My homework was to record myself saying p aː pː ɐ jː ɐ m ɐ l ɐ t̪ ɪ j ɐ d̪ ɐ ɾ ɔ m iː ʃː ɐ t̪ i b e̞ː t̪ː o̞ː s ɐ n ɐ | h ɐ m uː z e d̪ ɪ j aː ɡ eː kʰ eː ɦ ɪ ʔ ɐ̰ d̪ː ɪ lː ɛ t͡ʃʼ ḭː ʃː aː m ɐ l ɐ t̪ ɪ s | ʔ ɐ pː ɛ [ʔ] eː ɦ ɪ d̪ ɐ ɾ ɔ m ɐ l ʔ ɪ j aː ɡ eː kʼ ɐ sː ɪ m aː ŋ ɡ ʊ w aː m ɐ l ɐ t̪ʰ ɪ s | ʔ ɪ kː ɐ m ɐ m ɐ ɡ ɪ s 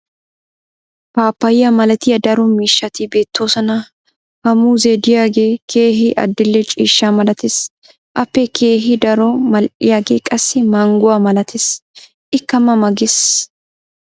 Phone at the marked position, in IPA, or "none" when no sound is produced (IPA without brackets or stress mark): k